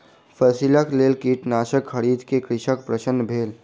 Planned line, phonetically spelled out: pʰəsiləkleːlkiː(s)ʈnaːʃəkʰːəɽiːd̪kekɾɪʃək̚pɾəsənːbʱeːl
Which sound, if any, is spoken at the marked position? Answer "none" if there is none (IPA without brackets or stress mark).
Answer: none